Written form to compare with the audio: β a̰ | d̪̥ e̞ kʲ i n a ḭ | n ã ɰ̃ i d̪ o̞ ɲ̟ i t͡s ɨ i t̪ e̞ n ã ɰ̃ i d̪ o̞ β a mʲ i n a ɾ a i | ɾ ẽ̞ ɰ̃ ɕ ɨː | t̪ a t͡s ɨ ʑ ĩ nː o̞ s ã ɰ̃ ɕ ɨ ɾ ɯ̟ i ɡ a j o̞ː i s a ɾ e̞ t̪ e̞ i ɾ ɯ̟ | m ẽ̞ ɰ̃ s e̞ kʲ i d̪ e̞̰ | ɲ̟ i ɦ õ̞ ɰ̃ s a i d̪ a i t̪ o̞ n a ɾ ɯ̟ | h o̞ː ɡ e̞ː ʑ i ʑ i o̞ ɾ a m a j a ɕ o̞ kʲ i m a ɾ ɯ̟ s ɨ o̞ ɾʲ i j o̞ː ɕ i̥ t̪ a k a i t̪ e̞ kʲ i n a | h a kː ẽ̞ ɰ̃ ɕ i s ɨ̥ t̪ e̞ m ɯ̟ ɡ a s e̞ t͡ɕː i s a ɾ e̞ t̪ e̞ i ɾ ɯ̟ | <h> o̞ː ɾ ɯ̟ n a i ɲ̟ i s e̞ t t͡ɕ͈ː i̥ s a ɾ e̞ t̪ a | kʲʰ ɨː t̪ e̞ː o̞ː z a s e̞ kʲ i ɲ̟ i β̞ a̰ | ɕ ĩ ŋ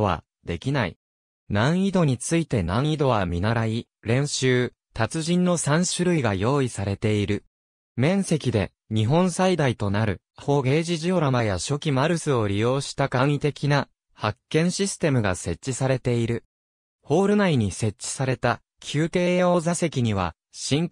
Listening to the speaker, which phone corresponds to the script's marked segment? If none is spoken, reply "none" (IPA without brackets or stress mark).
h